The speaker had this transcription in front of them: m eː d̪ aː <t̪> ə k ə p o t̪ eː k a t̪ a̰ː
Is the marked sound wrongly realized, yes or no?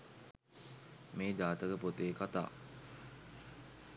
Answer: no